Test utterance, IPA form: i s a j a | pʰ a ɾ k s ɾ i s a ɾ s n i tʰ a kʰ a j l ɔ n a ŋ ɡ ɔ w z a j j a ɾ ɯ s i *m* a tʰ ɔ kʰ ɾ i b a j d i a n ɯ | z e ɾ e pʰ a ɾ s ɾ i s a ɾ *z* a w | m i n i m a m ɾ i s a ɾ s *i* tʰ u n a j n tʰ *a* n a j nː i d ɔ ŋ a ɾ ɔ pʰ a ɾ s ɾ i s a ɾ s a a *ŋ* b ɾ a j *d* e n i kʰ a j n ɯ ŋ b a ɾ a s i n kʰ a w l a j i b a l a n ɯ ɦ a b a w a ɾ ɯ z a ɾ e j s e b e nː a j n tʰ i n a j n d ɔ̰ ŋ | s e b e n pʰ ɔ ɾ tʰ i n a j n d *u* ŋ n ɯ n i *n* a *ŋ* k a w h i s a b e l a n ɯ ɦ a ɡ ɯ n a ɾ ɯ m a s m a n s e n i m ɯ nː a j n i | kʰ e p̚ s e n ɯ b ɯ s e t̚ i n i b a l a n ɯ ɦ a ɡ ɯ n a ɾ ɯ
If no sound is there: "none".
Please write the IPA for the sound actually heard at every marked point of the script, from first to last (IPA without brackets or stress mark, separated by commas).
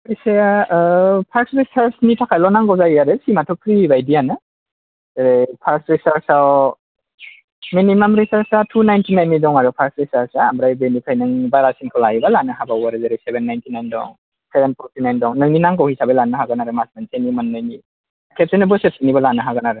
m, s, a, i, m, b, ɔ, n, ŋ